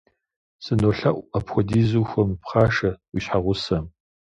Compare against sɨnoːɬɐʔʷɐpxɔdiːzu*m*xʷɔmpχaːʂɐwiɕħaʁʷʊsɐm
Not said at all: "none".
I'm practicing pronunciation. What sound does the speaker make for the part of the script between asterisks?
none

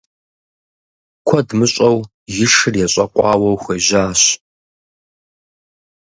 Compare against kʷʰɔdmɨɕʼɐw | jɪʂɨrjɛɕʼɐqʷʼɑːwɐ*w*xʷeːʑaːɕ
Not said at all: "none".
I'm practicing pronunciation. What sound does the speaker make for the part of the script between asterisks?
w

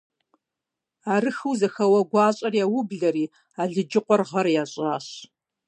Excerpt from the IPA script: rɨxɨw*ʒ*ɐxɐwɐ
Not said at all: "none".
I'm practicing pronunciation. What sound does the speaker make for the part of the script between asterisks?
z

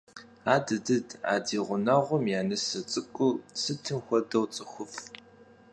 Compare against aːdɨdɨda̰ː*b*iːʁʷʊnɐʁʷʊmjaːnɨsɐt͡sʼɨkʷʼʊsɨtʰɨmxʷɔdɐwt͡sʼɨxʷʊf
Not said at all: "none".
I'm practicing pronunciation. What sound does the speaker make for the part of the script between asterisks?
d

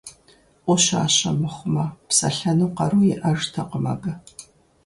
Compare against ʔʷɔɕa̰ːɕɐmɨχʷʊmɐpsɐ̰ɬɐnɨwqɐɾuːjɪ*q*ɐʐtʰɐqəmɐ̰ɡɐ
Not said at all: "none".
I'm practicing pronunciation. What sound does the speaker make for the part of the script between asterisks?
ʔ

